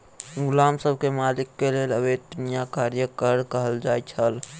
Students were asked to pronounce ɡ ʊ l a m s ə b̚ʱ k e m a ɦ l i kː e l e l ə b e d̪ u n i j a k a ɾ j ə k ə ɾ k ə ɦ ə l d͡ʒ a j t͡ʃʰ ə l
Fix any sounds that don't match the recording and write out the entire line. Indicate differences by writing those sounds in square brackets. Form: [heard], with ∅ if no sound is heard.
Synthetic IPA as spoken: ɡ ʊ l a m s ə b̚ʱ k e m a [∅] l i kː e l e l ə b e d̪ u n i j a k a ɾ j ə k ə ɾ k ə ɦ ə l d͡ʒ a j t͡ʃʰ ə l